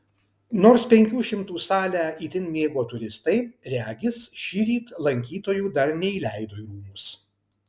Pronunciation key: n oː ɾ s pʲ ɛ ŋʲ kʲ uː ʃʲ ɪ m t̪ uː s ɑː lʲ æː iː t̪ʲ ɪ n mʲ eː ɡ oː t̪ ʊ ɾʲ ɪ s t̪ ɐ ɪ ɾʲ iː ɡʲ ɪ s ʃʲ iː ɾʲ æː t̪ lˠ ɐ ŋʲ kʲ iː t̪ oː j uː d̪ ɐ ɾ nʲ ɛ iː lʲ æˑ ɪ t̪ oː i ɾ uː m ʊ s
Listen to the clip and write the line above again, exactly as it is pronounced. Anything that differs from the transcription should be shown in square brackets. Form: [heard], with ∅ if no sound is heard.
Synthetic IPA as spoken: n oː ɾ s pʲ ɛ ŋʲ kʲ uː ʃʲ ɪ m t̪ uː s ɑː lʲ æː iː t̪ʲ ɪ n mʲ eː ɡ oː t̪ ʊ ɾʲ ɪ s t̪ ɐ ɪ ɾʲ [æː] ɡʲ ɪ s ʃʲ iː ɾʲ [iː] t̪ lˠ ɐ ŋʲ kʲ iː t̪ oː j uː d̪ ɐ ɾ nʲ ɛ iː lʲ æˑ ɪ [d̪] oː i ɾ uː m ʊ s